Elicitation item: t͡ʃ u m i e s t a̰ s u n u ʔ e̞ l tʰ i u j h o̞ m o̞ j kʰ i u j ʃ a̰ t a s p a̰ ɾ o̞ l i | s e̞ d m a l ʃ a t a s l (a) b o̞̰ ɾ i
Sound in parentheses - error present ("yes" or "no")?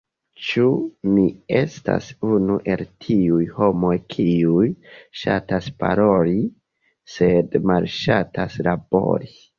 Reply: no